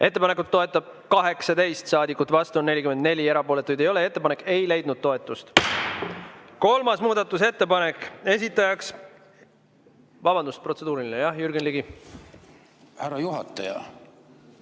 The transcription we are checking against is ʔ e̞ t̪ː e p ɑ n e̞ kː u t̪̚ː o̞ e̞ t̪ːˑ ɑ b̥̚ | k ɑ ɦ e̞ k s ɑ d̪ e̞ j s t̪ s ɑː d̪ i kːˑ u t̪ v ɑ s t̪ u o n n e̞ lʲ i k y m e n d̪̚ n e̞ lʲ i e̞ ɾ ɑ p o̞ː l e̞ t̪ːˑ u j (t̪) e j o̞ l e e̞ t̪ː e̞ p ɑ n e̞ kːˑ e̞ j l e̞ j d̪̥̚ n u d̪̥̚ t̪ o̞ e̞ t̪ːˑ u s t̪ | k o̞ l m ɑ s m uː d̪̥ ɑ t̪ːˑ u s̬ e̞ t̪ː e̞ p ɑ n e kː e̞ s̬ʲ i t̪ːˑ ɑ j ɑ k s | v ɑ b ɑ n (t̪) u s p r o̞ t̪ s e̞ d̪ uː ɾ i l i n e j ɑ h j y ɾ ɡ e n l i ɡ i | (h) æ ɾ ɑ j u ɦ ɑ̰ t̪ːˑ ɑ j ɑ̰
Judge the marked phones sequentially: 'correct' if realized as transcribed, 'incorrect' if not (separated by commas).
incorrect, incorrect, correct